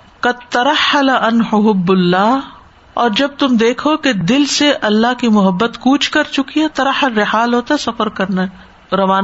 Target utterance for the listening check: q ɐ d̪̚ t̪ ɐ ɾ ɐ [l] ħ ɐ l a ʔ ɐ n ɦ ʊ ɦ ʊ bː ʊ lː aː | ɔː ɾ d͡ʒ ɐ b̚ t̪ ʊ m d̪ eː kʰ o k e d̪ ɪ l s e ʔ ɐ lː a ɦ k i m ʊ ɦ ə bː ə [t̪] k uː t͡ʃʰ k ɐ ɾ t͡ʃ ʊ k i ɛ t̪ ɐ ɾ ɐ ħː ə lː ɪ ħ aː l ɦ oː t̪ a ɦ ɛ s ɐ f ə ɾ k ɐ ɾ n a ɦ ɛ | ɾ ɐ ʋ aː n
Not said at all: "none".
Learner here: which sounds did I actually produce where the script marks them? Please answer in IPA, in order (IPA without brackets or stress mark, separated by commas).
none, t̪